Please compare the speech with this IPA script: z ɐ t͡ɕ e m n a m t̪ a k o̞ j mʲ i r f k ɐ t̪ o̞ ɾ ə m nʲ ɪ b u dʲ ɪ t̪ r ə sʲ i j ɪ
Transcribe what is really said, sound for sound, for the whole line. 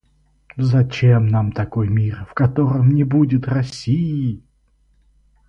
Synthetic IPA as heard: z ɐ t͡ɕ e m n a m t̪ ɐ k o̞ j mʲ i r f k ɐ t̪ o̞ ɾ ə m nʲ ɪ b u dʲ ɪ t̪ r ɐ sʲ i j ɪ